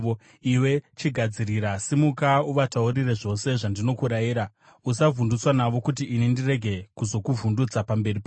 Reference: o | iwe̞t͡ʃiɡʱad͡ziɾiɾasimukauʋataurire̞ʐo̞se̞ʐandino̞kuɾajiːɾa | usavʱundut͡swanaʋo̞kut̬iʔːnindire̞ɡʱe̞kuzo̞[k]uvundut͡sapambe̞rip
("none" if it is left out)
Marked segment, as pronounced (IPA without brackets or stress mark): k